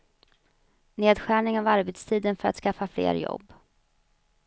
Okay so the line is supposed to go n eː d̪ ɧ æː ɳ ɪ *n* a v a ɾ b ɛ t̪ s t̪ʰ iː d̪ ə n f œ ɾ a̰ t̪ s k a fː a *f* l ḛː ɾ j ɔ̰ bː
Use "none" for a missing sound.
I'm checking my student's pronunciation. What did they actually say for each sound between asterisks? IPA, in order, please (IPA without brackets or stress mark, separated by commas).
ŋ, f